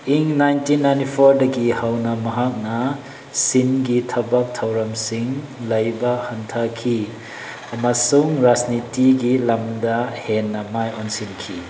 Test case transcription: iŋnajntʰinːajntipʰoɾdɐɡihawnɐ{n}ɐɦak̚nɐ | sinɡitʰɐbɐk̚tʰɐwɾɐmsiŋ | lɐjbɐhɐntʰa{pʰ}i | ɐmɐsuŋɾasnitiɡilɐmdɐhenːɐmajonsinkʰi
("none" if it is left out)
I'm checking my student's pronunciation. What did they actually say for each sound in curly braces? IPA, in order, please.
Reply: m, kʰ

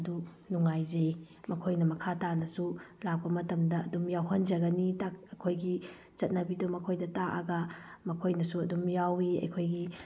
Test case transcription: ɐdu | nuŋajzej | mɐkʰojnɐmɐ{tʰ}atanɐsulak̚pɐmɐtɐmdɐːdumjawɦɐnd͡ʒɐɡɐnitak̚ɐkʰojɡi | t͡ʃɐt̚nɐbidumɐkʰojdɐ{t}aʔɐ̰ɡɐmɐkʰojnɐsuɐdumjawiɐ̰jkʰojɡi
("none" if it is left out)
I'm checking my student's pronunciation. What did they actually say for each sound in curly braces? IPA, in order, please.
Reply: kʰ, t

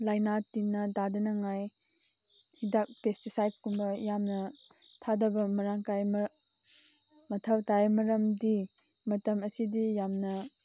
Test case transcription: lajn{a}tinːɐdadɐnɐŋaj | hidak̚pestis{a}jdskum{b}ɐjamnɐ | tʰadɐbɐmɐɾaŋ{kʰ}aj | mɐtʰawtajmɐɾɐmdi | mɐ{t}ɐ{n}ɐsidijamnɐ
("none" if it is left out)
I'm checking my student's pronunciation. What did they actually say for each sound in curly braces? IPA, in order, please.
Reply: a, a, b, k, t, m

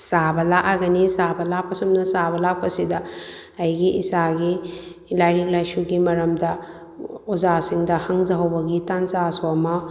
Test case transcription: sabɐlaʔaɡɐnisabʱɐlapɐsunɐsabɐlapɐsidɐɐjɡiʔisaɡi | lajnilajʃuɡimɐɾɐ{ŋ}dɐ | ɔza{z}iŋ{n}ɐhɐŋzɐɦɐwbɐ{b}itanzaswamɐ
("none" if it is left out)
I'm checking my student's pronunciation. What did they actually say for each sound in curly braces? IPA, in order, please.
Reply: m, s, d, ɡ

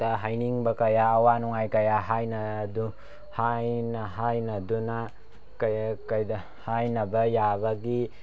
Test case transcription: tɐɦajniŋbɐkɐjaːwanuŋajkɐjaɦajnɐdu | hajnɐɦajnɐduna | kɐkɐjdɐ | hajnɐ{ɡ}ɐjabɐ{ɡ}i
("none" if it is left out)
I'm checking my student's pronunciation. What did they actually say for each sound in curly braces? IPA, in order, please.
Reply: b, ɡ

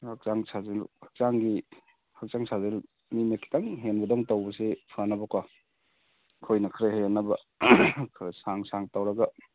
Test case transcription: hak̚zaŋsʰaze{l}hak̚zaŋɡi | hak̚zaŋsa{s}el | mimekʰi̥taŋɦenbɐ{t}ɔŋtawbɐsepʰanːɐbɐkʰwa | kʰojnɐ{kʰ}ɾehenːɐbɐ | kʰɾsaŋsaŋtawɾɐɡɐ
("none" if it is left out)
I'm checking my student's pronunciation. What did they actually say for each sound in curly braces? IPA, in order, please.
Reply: l, z, d, kʰ

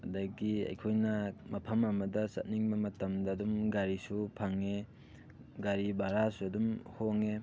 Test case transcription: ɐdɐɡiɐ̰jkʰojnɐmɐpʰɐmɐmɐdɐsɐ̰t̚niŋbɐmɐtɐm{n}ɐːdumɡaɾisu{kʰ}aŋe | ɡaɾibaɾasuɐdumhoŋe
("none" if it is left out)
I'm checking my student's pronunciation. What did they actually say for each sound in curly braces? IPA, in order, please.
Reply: d, pʰ

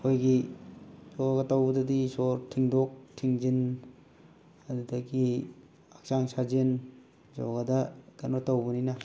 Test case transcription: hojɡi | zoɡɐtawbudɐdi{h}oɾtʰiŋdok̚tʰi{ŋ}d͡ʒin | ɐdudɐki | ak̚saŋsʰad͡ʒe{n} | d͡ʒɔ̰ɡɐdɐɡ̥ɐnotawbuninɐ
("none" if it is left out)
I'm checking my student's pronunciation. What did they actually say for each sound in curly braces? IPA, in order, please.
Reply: s, ŋ, n

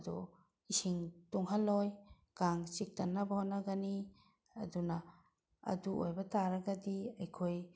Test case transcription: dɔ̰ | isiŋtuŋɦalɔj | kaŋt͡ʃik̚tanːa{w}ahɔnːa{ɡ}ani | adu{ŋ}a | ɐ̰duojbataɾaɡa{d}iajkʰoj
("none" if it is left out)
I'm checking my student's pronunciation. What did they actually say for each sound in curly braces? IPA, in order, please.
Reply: b, ɡ, n, d

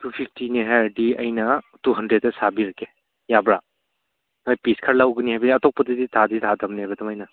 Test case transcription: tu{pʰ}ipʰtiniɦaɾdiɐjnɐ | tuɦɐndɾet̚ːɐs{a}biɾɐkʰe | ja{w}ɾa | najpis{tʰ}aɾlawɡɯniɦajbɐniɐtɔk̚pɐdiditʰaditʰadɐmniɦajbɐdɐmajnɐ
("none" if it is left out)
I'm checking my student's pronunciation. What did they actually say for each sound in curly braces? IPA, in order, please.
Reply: pʰ, a, b, kʰ

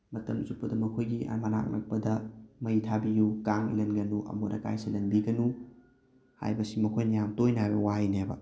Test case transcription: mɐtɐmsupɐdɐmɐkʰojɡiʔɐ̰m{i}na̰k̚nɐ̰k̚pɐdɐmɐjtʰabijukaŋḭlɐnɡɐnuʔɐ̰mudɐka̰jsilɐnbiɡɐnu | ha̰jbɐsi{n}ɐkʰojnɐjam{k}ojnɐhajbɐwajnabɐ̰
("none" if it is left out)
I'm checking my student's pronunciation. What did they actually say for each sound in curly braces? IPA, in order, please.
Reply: a, m, t

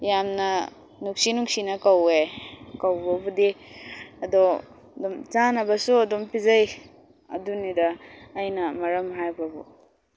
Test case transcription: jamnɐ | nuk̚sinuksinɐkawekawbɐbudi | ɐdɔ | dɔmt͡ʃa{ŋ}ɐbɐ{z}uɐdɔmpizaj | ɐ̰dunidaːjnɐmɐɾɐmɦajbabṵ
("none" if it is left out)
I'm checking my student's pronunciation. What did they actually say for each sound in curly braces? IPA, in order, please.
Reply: n, s

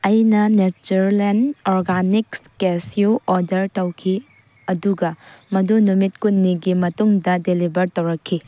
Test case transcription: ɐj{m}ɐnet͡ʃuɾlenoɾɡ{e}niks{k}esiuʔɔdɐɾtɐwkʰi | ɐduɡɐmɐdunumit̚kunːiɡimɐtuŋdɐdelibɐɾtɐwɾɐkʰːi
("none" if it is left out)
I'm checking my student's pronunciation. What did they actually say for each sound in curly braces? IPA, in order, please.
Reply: n, a, k

